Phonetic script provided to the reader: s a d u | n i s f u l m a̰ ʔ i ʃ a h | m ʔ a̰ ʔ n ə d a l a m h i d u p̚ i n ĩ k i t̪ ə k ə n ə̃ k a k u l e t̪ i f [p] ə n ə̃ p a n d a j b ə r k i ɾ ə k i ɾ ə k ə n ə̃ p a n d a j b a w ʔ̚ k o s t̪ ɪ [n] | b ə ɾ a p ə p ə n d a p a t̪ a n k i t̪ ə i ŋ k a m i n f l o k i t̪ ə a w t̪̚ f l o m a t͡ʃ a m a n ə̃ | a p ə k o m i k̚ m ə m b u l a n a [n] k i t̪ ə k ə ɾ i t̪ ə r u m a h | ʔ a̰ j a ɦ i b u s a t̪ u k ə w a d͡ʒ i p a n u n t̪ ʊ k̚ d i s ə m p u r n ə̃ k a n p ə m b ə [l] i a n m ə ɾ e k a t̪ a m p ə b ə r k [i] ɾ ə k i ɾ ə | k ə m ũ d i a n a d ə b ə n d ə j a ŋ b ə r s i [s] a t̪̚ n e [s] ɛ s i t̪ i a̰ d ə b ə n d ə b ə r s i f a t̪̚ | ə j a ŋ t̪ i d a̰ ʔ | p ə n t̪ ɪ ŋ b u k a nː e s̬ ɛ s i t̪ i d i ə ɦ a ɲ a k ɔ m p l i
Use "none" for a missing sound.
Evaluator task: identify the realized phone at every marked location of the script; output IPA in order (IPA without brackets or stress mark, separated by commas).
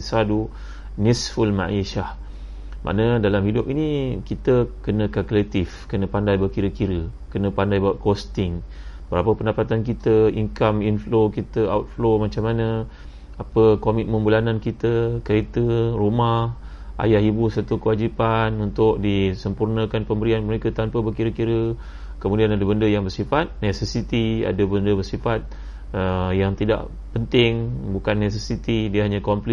k, ŋ, n, ɾ, i, f, s